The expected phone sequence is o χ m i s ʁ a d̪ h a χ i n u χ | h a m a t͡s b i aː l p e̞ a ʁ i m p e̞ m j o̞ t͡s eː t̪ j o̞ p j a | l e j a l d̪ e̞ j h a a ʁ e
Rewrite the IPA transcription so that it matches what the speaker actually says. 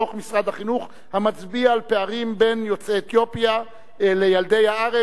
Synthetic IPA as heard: o χ m i s ʁ a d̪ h a χ i n u χ | h a m a t͡s b i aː l p e̞ a ʁ i m b e̞ n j o̞ t͡s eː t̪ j o̞ p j a | l e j a l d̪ e̞ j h a a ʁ e